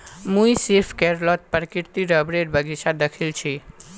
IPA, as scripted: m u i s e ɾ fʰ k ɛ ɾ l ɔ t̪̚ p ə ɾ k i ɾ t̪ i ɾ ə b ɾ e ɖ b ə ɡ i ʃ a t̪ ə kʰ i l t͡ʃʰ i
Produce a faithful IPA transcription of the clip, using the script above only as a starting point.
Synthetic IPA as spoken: m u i s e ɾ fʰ k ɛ ɾ l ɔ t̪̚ p ə ɾ k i ɾ t̪ i ɾ ə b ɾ e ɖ b ə ɡ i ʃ a d̪ ə kʰ i l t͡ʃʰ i